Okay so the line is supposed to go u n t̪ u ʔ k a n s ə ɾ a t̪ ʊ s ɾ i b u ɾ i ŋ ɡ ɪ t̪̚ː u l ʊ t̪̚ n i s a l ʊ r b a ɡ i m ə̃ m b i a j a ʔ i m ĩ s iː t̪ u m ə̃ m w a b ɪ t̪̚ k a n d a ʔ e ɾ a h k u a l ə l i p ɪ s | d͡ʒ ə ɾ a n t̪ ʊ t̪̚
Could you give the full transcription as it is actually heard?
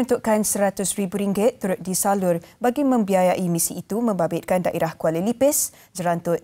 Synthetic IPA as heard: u n t̪ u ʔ k a n s ə ɾ a t̪ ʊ s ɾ i b u ɾ i ŋ ɡ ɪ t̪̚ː u ɾ ʊ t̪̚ d i s a l ʊ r b a ɡ i m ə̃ m b i a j a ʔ i m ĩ s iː t̪ u m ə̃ m b a b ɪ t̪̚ k a n d a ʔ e ɾ a h k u a l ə l i p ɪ s | d͡ʒ ə ɾ a n t̪ ʊ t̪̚